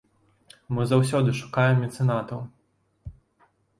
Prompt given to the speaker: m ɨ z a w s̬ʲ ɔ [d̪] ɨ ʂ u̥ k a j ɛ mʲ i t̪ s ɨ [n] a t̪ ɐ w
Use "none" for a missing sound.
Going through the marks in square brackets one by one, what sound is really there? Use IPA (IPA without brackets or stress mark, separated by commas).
d̪, n